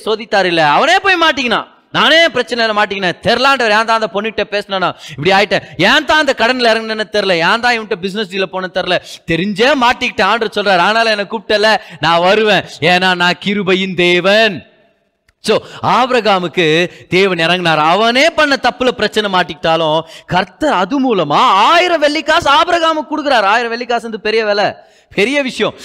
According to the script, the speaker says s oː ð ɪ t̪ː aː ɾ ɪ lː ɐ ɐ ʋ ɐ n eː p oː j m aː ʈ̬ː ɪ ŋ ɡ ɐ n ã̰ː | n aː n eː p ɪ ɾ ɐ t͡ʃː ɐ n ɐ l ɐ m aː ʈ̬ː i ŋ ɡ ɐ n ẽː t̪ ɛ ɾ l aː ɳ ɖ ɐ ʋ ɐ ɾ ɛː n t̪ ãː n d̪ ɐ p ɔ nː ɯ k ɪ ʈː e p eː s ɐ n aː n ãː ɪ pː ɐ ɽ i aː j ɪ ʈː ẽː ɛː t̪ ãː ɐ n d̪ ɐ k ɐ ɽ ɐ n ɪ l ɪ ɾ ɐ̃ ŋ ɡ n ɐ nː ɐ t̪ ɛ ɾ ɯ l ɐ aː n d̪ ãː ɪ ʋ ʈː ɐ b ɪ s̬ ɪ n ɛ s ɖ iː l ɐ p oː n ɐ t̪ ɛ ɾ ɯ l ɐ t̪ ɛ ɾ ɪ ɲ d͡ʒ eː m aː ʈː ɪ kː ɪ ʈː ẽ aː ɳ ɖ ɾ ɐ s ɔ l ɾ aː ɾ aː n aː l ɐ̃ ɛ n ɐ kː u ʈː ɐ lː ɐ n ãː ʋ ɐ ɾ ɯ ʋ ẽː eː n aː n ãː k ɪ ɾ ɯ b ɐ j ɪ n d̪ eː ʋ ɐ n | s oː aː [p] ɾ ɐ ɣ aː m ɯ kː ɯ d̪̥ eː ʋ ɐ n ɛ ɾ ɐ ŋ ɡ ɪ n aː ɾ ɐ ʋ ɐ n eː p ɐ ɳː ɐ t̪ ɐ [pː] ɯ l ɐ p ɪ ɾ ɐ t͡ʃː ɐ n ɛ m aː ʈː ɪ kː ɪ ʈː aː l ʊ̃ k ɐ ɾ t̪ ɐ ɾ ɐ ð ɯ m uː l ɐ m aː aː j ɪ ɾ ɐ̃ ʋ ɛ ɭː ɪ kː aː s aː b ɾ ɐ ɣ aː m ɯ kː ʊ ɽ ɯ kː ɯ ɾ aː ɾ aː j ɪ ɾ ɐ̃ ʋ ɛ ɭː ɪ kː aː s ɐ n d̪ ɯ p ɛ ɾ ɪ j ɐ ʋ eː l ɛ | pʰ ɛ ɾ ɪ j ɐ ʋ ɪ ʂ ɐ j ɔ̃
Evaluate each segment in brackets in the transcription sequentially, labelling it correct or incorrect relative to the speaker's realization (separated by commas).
incorrect, correct